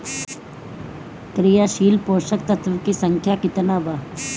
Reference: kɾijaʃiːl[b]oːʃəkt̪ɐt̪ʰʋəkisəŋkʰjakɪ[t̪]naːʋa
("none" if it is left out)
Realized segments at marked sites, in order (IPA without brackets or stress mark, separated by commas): p, t̪